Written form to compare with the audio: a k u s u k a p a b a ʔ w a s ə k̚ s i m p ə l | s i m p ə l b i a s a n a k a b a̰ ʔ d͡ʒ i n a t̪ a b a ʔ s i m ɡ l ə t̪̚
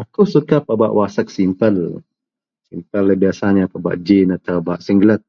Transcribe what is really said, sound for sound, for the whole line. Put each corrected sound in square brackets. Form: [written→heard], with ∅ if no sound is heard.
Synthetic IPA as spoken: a k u s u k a p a b a ʔ w a s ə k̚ s i m p ə l | s i m p ə l b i a s a [n→ɲ] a [k→p] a b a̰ ʔ d͡ʒ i n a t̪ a b a ʔ s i [m→ŋ] ɡ l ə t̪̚